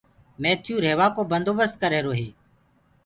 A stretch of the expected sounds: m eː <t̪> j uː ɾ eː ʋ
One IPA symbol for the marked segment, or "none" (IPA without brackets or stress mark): t̪ʰ